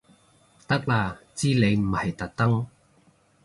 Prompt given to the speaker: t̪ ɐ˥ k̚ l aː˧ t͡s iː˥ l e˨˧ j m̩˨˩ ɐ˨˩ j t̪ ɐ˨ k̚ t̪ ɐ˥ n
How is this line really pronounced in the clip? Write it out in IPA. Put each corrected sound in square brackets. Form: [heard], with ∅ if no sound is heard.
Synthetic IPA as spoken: t̪ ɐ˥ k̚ l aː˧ t͡s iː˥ l e˨˧ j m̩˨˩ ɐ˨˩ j t̪ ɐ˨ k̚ t̪ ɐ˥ [ŋ]